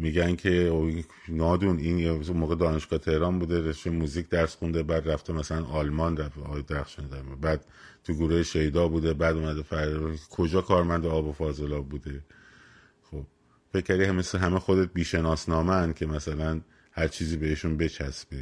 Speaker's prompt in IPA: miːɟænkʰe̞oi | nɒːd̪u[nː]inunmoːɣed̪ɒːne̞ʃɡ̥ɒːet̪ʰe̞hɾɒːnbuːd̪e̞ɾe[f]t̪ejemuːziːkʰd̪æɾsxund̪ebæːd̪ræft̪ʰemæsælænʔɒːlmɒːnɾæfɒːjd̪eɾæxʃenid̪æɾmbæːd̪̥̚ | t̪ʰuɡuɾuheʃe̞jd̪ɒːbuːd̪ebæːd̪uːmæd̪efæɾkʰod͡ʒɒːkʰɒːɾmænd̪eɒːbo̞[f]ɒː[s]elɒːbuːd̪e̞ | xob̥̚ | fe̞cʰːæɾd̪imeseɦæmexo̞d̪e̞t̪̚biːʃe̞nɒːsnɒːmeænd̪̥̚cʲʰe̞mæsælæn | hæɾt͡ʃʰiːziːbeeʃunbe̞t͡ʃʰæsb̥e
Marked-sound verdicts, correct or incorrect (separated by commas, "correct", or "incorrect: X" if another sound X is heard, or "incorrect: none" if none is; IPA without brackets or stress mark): incorrect: n, incorrect: ʃ, correct, incorrect: z